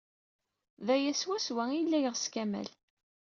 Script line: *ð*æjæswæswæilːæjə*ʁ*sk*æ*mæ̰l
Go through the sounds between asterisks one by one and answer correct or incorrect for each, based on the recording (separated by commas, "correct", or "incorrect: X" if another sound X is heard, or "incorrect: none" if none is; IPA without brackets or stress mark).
correct, correct, correct